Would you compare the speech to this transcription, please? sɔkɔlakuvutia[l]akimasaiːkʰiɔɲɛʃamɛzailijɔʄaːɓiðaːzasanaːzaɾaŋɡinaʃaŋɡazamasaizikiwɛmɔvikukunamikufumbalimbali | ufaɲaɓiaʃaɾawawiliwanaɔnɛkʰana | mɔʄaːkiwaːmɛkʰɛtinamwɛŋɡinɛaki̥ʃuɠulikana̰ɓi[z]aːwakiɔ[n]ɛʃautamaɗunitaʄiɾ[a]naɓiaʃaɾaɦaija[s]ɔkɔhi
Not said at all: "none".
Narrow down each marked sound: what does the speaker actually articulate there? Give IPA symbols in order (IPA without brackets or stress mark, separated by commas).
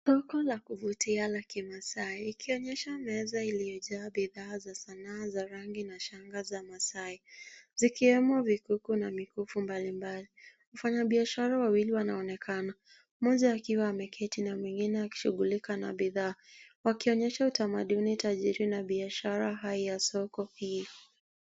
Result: l, ð, ɲ, i, s